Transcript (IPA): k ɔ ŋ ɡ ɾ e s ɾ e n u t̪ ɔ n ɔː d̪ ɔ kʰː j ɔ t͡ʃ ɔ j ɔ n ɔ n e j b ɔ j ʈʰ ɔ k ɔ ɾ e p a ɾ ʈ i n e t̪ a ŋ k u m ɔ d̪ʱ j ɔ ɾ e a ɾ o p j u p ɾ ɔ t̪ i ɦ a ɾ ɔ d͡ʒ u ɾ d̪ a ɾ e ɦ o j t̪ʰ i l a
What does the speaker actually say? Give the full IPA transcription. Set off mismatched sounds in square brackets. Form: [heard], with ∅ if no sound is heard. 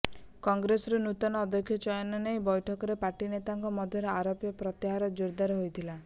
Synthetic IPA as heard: k ɔ ŋ ɡ ɾ e s ɾ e n u t̪ ɔ n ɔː d̪ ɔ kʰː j ɔ t͡ʃ ɔ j ɔ n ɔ n e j b ɔ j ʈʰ ɔ k ɔ ɾ e p a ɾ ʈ i n e t̪ a ŋ k [ɔ] m ɔ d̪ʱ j ɔ ɾ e a ɾ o p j [ɔ] p ɾ ɔ t̪ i ɦ a ɾ ɔ d͡ʒ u ɾ d̪ a ɾ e ɦ o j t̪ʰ i l a